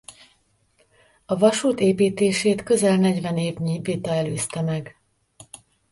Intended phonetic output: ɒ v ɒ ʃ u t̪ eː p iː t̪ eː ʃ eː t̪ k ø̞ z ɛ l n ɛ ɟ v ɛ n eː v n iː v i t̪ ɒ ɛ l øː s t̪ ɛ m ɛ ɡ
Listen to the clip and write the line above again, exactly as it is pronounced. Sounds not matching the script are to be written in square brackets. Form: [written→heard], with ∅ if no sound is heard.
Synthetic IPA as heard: ɒ v ɒ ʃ [u→uː] t̪ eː p iː t̪ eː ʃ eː t̪ k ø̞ z ɛ l n ɛ ɟ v ɛ n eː v [n→ɲ] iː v i t̪ ɒ ɛ l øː s t̪ ɛ m ɛ ɡ